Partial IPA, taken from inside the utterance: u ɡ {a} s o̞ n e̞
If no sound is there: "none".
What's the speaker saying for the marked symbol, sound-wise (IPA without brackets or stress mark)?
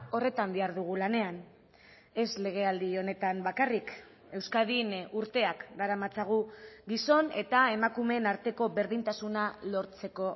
i